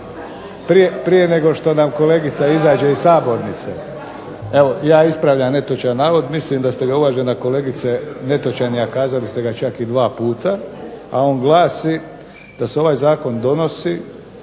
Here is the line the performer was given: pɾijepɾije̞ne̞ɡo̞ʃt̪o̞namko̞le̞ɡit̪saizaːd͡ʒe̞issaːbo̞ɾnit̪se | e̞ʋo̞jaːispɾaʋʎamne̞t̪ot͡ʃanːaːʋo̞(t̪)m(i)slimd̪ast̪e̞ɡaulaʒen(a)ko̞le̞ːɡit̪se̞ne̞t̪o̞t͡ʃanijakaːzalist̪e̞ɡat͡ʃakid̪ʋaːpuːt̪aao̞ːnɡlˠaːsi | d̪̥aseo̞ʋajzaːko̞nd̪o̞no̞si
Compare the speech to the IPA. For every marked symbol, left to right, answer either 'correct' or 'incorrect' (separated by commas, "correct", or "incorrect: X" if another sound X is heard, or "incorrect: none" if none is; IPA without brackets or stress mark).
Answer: incorrect: d̪, correct, correct